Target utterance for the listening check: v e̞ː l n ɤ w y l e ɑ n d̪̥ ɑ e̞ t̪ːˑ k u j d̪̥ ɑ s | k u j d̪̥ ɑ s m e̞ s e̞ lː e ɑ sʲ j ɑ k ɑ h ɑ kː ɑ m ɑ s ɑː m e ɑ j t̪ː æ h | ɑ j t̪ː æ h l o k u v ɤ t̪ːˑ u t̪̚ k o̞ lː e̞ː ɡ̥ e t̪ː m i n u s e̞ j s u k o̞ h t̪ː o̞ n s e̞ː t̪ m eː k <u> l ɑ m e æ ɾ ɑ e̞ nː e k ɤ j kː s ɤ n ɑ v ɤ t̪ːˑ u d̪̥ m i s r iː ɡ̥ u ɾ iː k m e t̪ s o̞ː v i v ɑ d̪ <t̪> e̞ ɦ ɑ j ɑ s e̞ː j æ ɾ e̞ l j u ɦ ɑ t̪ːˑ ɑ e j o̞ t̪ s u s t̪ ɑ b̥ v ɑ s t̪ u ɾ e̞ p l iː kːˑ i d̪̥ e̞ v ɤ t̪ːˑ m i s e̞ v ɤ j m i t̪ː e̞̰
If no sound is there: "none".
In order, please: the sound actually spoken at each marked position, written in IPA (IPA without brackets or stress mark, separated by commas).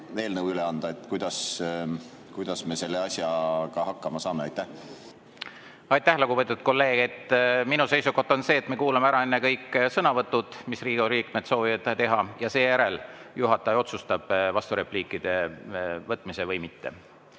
uː, t̪